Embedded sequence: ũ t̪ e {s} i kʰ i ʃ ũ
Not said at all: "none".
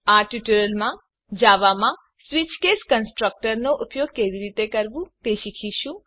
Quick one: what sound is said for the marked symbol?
ʃ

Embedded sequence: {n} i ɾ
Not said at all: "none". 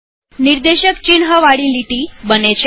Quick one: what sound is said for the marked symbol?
n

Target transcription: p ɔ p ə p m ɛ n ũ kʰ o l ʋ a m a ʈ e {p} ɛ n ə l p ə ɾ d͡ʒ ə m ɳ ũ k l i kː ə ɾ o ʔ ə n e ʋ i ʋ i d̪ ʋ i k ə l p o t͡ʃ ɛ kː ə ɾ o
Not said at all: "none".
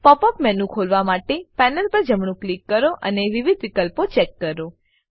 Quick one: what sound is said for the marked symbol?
p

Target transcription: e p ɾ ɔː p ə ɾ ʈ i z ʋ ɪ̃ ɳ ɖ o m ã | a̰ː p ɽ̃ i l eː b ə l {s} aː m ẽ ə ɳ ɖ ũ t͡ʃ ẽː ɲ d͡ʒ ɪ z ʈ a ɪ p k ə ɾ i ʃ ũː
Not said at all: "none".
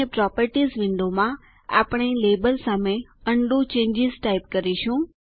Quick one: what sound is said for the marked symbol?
s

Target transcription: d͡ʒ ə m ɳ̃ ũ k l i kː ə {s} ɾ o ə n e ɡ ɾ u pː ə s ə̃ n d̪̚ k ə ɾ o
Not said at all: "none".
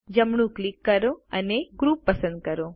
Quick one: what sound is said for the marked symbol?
none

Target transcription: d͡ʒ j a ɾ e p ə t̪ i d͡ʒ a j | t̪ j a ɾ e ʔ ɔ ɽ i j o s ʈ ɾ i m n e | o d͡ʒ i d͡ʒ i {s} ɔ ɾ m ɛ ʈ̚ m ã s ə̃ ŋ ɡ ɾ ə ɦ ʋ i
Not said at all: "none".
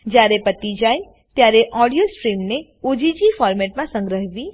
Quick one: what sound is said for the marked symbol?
f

